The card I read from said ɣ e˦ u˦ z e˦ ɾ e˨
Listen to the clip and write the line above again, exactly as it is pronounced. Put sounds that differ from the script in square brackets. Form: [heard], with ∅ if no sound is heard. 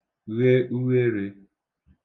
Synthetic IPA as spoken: ɣ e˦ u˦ [ɣ] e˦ ɾ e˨